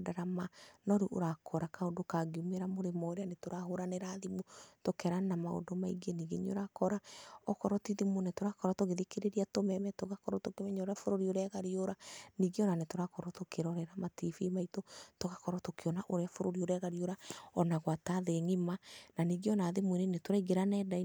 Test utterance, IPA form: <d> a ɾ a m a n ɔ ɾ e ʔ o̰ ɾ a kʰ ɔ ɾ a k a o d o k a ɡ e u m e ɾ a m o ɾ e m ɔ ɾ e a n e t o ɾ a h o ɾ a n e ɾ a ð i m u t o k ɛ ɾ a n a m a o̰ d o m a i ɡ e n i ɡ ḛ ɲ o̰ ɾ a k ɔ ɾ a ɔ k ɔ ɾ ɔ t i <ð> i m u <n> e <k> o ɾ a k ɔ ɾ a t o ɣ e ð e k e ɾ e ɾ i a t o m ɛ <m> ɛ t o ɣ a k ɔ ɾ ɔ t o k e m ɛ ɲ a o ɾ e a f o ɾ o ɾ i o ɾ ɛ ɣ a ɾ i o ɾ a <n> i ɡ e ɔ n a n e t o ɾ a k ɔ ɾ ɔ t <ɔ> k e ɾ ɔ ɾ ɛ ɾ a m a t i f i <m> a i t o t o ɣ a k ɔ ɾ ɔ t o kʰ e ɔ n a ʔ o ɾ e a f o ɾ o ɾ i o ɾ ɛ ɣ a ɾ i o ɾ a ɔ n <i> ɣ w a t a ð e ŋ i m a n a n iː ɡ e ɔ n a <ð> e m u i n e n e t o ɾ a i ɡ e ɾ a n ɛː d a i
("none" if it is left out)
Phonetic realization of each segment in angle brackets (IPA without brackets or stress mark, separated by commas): d, ð, n, t, m, n, o, m, a, ð